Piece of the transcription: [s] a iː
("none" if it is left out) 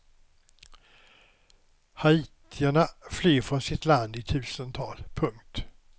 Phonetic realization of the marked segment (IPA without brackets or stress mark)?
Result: h